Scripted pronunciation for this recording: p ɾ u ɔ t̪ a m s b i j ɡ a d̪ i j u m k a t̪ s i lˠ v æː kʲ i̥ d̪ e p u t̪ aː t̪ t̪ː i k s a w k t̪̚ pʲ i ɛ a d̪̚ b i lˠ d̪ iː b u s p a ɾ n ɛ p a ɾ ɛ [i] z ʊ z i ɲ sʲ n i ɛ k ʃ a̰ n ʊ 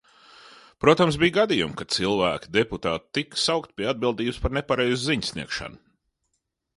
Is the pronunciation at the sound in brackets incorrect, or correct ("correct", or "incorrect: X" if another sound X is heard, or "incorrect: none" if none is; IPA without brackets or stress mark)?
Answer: incorrect: j